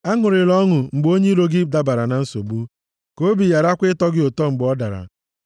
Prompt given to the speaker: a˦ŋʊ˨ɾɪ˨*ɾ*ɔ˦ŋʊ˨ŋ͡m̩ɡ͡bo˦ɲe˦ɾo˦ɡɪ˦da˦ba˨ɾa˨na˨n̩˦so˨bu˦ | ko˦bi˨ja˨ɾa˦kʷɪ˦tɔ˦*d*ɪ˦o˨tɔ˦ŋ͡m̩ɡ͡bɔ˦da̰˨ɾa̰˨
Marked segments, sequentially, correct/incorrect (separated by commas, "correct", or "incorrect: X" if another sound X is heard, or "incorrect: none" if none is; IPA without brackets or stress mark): incorrect: l, incorrect: ɡ